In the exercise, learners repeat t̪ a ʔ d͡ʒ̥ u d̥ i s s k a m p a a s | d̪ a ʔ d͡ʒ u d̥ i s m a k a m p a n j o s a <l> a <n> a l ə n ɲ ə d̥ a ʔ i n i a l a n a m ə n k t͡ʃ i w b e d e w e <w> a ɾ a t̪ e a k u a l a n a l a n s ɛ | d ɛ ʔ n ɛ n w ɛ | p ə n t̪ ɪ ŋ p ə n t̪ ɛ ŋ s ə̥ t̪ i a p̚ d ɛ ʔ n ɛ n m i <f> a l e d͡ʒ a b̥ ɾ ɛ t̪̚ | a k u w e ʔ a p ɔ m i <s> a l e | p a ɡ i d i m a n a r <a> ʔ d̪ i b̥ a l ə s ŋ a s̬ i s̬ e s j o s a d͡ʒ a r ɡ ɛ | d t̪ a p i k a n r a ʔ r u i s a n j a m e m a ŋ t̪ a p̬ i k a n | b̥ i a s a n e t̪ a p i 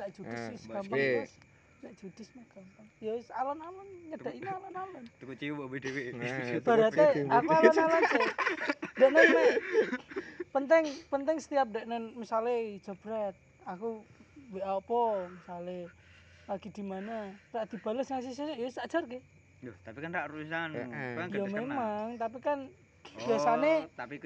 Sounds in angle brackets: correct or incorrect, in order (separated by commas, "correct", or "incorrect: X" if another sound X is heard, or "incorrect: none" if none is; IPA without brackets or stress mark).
correct, correct, incorrect: b, incorrect: s, correct, correct